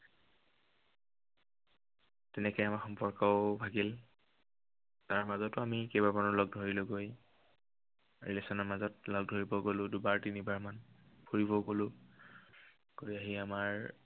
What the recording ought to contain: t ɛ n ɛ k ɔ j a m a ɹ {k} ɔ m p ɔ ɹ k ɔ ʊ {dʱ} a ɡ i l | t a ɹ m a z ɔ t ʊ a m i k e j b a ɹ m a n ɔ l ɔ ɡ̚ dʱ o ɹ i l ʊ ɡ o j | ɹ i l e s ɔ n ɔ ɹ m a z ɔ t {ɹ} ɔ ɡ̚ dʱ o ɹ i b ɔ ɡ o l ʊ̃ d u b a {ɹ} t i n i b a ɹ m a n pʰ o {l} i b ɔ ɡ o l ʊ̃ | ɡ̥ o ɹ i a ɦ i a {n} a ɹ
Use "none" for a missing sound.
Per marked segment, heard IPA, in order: x, bʱ, l, ɹ, ɹ, m

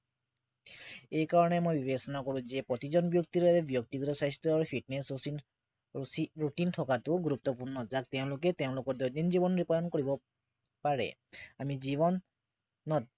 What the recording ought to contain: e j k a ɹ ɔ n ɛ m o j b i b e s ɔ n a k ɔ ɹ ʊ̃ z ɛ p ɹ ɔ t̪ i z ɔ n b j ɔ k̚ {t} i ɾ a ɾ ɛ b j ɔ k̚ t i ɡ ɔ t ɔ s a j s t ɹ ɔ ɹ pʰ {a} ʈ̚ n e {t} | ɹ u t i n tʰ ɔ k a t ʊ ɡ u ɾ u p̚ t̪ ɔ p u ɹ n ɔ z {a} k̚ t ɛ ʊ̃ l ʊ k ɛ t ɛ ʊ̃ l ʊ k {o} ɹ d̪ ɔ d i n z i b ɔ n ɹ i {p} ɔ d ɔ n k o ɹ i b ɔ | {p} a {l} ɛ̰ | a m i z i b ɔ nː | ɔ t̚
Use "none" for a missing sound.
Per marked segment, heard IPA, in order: t, i, s, a, ɔ, p, p, ɹ

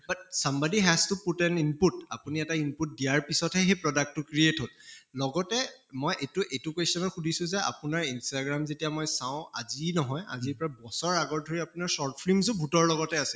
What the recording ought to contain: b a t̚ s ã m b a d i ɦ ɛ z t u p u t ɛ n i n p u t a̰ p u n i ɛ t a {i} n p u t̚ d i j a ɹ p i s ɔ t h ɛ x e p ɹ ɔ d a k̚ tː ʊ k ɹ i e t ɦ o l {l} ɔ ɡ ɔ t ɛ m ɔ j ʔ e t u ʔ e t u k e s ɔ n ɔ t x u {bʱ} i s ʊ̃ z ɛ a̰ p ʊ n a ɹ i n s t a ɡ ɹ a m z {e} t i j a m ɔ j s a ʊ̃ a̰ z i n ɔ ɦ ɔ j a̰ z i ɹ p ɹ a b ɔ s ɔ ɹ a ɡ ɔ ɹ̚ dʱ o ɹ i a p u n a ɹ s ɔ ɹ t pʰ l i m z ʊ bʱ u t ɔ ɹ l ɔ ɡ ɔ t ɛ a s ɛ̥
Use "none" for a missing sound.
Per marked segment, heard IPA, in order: i, l, dʱ, e

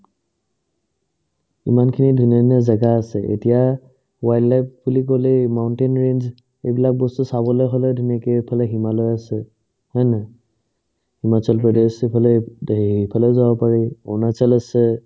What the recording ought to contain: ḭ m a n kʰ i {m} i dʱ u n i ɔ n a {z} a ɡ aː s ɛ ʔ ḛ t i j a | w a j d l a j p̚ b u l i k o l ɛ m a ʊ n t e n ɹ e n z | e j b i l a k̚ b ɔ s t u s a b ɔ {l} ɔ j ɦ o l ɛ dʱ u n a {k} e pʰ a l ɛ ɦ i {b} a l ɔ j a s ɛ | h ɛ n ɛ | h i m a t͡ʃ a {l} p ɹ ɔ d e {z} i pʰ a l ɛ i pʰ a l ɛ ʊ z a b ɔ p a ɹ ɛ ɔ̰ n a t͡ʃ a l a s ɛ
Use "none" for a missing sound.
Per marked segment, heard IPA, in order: n, z, l, k, m, l, s

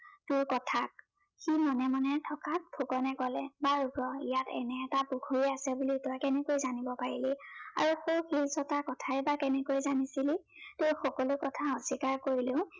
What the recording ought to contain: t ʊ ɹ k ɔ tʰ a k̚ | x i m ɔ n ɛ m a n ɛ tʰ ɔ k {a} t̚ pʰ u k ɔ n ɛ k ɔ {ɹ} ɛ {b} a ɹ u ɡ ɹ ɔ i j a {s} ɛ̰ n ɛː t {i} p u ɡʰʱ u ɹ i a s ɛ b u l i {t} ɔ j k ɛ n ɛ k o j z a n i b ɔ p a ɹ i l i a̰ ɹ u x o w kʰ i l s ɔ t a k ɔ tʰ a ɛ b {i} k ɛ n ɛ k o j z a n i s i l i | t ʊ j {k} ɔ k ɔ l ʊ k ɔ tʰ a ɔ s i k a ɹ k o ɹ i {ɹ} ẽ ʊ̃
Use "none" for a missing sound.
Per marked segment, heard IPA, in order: a, l, b, t, a, t, a, x, l

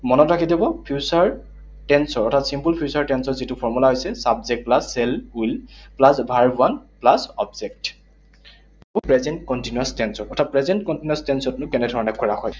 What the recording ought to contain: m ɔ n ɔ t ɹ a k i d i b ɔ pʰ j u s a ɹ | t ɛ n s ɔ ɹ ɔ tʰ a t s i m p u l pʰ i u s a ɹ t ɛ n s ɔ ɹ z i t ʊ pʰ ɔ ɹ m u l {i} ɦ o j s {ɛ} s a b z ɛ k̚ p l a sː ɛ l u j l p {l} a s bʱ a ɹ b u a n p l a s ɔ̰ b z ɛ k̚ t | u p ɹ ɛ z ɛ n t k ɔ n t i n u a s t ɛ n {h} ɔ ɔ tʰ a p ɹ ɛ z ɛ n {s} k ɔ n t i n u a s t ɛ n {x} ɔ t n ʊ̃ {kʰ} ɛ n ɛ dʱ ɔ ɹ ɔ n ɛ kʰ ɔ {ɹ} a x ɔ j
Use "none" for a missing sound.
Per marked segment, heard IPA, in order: a, ɛ, l, s, t, s, k, ɹ

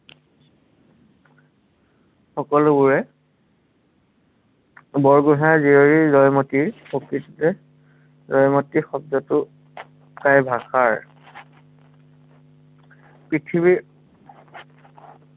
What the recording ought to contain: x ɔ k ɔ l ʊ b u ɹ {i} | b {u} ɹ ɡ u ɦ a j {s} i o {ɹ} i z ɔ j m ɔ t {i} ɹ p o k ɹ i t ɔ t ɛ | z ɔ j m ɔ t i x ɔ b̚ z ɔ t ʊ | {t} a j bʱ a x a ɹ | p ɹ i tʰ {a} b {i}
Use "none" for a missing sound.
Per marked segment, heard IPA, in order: ɛ, ɔ, z, ɹ, i, k, i, i

